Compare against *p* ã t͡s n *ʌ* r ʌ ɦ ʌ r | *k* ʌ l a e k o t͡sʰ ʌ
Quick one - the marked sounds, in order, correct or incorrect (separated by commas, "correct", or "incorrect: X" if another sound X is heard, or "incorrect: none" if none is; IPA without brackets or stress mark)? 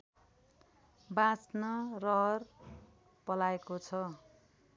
incorrect: b, correct, incorrect: p